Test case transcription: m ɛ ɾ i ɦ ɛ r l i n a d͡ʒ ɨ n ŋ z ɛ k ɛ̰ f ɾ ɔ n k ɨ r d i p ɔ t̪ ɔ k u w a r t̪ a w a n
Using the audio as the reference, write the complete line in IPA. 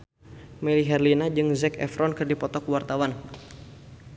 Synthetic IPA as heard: m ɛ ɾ i ɦ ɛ r l i n a d͡ʒ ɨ ŋ z ɛ k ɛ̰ f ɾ ɔ n k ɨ r d i p ɔ t̪ ɔ k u w a r t̪ a w a n